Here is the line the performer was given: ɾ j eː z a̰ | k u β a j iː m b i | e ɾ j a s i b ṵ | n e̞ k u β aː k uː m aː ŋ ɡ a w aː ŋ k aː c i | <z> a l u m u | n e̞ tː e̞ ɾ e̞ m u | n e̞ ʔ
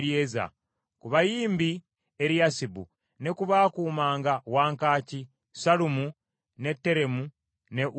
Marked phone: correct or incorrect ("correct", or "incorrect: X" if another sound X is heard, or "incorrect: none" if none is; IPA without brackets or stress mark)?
incorrect: s